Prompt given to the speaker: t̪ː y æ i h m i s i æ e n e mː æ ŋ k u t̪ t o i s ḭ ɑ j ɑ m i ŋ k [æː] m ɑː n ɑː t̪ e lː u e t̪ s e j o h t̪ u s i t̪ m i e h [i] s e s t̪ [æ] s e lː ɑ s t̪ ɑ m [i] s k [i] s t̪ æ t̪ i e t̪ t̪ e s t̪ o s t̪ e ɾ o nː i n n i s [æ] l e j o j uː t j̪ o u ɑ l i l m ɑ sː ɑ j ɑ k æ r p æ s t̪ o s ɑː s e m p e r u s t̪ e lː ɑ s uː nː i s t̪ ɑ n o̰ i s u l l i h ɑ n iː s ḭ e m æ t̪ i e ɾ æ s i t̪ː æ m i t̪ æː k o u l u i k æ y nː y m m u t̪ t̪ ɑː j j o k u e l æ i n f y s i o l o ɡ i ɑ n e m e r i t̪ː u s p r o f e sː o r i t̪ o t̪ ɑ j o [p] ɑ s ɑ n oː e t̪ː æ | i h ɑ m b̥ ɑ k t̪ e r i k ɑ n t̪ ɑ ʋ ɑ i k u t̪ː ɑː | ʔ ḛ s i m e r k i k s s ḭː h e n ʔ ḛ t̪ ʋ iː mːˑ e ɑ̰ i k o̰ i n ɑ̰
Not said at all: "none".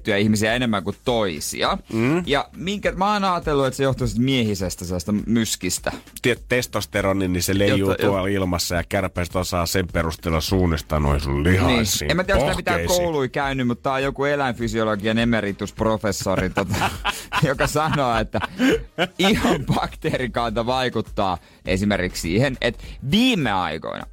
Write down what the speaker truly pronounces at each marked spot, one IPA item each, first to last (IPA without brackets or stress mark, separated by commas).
æ, i, æ, y, i, e, k